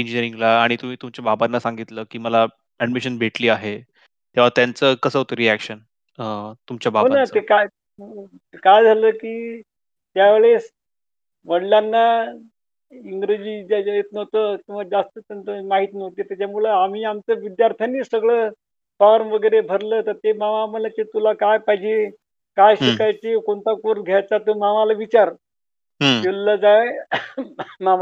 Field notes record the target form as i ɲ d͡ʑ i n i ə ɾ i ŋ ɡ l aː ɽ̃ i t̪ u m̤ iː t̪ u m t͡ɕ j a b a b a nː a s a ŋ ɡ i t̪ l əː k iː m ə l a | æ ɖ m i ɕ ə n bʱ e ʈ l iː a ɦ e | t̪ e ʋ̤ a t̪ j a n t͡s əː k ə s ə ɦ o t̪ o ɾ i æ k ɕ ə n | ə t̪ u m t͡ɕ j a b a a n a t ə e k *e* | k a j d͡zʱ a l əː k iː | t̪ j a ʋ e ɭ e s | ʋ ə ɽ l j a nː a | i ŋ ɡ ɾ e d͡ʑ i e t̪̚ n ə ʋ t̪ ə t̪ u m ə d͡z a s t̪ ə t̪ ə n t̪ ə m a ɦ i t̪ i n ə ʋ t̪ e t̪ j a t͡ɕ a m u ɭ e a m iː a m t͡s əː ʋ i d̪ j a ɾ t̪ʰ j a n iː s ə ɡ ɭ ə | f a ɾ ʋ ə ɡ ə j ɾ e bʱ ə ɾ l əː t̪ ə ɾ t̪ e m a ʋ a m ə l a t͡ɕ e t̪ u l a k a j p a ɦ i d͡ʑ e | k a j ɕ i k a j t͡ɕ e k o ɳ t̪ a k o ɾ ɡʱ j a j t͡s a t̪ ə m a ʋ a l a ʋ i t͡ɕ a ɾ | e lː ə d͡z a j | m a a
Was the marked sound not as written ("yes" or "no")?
yes